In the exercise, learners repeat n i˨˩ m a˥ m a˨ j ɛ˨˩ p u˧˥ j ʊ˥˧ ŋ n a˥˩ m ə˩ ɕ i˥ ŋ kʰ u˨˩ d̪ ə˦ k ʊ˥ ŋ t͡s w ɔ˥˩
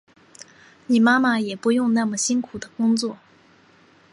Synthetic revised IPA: n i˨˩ m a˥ m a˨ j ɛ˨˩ p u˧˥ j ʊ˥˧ ŋ n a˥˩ m ə˩ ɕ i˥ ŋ kʰ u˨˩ d̪ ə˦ k ʊ˥ ŋ t͡s w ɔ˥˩